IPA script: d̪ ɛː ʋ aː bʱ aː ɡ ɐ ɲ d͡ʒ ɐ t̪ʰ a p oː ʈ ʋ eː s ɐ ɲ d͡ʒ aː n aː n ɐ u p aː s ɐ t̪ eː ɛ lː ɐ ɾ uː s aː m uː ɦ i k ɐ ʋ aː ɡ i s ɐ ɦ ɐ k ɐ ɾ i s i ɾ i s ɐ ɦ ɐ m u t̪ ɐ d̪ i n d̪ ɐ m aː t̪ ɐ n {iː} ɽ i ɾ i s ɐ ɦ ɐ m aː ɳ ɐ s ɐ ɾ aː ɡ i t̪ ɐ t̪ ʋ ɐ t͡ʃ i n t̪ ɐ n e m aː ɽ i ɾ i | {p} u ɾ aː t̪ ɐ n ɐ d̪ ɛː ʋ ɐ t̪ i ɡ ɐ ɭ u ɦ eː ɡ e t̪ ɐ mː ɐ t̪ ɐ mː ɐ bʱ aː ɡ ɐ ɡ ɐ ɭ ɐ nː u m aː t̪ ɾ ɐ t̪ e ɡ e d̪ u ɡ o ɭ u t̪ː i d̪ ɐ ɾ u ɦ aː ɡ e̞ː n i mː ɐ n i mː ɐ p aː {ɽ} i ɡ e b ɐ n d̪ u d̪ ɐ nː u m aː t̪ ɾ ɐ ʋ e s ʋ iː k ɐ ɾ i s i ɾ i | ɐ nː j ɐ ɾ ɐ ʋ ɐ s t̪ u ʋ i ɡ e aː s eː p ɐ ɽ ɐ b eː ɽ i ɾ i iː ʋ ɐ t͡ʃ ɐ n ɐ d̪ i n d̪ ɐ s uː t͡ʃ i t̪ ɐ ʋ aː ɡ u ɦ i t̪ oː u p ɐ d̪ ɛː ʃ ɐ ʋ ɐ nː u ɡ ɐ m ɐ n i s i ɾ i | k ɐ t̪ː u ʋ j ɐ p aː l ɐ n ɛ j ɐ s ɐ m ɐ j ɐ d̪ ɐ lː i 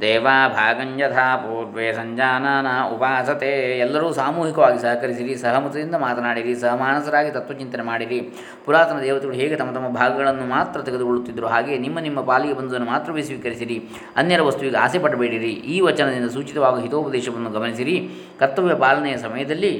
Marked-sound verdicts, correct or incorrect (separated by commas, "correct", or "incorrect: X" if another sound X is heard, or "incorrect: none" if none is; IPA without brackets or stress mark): incorrect: aː, correct, incorrect: l